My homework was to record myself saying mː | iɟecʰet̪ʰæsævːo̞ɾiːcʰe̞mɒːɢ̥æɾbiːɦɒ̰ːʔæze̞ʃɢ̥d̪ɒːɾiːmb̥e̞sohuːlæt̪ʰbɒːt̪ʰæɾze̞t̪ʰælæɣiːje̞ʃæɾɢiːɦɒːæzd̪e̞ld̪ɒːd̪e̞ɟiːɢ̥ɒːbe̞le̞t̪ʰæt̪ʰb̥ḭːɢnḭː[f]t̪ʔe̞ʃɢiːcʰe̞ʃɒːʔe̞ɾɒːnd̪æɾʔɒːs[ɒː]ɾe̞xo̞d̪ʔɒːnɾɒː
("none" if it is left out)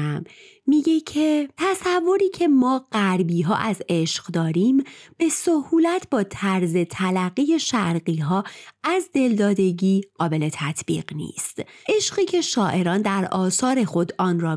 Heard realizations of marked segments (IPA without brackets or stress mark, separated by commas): s, ɒː